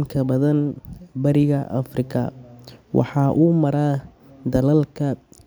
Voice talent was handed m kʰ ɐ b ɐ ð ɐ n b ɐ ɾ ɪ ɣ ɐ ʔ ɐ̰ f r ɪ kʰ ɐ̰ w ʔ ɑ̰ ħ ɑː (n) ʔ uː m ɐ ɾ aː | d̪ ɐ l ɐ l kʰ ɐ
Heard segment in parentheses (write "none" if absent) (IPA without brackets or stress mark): none